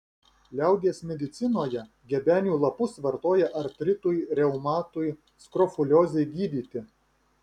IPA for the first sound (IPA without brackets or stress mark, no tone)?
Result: lʲ